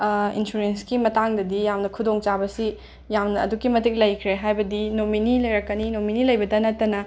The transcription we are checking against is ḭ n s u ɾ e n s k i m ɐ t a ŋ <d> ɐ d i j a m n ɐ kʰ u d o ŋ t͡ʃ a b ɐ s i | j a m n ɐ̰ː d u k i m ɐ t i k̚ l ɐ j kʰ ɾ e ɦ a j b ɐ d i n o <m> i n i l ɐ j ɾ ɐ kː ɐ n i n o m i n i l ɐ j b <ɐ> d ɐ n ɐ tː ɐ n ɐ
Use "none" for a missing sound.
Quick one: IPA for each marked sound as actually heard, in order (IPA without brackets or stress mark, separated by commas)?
d, m, ɐ